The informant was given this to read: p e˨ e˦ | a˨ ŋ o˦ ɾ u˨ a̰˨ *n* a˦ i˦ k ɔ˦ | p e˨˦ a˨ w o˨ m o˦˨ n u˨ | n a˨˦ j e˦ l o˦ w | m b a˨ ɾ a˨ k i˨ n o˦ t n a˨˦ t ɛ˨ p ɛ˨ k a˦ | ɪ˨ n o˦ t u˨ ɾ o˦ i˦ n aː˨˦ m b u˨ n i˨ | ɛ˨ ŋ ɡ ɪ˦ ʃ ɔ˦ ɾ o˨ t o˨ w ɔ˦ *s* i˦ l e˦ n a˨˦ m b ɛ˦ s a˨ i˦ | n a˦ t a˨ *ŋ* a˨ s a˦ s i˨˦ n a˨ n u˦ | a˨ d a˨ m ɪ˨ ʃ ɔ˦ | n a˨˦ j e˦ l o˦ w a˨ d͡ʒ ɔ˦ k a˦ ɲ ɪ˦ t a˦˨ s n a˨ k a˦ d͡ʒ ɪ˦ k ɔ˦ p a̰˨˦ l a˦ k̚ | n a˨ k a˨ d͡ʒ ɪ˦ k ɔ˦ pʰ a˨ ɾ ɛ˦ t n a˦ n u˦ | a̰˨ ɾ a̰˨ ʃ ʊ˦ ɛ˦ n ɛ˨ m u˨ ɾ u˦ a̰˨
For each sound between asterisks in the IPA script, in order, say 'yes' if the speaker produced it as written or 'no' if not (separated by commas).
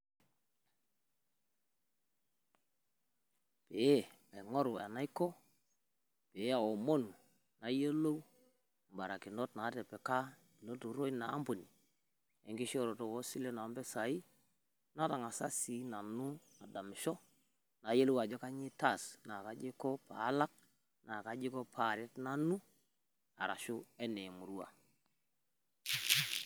yes, yes, yes